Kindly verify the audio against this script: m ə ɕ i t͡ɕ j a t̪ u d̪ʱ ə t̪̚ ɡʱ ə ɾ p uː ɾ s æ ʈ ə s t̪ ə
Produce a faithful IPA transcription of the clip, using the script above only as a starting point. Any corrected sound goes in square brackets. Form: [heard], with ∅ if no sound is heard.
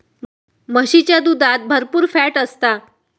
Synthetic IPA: m ə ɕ i t͡ɕ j a [d̪] u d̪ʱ [a] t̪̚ [bʱ] ə ɾ p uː ɾ [f] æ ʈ ə s t̪ [a]